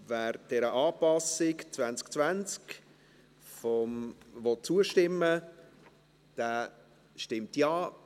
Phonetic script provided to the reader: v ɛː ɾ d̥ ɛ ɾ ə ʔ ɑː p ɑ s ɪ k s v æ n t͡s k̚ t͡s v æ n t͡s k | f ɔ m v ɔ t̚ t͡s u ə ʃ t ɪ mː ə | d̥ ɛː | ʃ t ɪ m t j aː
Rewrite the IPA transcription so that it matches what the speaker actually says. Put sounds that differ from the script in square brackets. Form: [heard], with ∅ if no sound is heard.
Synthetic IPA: v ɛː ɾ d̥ ɛ ɾ ə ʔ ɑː p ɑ s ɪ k [t͡s] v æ n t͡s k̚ t͡s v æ n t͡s k | f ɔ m v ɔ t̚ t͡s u ə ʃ t ɪ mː ə | d̥ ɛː | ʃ t ɪ m t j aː